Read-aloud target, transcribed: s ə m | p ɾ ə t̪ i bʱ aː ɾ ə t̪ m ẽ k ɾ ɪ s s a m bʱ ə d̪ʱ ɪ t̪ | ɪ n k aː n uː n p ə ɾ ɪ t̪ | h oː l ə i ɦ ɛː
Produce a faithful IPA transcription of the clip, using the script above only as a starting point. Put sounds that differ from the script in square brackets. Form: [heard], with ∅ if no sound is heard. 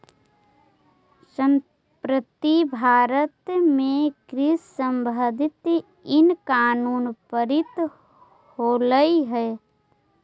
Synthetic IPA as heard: s ə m | p ɾ ə t̪ i bʱ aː ɾ ə t̪ m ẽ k ɾ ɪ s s [ə] m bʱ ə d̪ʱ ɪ t̪ | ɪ n k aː n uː n p ə ɾ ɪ t̪ | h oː l ə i ɦ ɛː